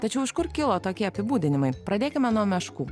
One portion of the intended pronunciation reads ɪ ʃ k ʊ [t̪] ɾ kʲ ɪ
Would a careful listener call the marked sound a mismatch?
yes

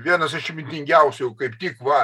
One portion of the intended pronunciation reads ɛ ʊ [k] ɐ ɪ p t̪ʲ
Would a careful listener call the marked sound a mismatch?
no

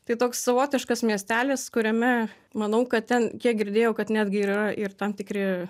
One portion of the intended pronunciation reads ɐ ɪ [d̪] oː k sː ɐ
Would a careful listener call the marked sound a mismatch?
yes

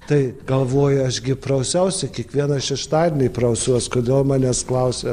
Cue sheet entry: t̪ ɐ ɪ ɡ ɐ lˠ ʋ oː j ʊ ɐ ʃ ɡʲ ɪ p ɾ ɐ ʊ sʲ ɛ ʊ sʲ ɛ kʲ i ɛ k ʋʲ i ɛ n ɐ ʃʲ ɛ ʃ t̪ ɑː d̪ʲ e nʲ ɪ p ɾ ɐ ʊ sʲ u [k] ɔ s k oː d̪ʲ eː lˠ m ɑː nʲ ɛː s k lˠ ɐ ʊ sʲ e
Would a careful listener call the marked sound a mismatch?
yes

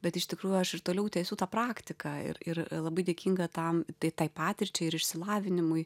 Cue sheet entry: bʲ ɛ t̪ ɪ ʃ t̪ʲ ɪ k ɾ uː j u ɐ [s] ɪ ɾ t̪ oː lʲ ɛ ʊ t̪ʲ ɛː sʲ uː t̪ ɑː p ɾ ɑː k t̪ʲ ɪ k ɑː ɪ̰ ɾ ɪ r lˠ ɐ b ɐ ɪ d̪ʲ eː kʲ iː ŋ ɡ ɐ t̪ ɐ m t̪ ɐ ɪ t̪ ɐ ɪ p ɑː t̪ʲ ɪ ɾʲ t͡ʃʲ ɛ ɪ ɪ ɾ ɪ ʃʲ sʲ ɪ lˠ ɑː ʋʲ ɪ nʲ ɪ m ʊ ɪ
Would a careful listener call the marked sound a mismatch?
yes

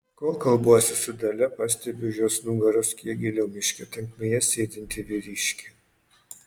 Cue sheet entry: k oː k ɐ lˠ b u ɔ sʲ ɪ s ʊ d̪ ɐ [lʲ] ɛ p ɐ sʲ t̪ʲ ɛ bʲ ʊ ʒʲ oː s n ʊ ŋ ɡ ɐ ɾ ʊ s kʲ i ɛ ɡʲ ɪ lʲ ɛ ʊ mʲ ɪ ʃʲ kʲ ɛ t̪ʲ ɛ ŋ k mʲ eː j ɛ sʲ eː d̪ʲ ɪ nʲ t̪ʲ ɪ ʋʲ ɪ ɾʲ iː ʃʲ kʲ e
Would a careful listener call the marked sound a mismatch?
no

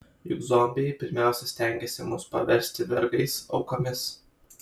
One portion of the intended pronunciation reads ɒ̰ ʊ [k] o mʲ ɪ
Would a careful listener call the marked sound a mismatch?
no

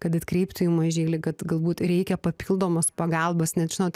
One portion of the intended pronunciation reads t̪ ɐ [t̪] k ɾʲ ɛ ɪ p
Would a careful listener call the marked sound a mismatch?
no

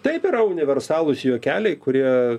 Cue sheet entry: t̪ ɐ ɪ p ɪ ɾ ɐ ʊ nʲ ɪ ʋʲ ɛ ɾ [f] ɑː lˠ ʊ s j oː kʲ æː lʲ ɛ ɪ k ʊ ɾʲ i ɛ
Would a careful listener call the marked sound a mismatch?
yes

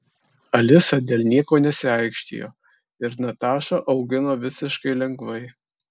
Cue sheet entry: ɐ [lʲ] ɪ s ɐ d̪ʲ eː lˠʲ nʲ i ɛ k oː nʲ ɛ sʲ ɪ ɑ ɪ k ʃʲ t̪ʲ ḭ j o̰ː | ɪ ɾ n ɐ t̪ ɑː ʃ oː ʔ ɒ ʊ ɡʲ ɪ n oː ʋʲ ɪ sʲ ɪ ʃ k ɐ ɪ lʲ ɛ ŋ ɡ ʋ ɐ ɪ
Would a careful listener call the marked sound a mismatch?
no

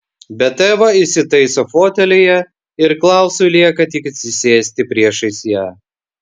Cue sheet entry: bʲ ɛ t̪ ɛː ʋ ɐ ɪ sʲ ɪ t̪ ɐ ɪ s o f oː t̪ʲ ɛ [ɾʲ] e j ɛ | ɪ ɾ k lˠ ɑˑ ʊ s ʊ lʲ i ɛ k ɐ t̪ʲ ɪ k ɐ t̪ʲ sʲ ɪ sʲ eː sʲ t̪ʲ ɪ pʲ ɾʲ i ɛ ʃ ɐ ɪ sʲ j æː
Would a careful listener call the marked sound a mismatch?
yes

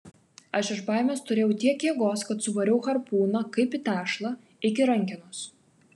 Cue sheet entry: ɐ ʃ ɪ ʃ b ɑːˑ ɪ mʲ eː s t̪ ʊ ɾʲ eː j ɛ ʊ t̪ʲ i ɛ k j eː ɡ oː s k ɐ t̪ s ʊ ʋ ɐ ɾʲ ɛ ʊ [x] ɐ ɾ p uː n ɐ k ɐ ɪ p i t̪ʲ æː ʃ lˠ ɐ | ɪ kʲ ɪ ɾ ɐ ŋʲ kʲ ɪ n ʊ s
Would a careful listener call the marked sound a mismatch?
no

